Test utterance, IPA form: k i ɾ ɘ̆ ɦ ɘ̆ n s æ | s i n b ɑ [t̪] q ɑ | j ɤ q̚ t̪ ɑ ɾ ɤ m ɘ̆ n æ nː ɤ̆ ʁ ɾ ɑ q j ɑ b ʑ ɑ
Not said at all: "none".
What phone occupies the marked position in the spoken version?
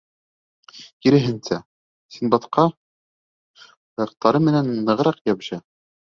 t̪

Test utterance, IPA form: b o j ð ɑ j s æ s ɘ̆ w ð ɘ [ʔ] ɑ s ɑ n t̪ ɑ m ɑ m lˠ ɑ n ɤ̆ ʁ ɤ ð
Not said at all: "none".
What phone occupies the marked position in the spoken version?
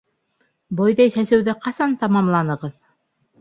q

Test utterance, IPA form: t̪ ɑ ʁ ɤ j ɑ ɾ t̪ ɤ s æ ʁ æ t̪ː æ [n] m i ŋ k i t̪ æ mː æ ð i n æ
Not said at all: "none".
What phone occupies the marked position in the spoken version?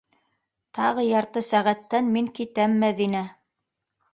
n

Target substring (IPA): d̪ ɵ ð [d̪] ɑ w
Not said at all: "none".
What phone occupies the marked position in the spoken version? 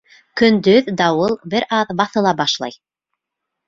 d̪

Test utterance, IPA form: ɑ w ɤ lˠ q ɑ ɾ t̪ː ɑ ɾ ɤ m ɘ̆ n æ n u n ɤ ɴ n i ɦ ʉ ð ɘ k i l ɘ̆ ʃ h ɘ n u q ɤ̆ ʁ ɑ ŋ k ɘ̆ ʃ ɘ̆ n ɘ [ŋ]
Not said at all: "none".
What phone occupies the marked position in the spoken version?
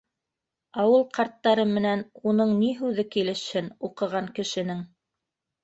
ŋ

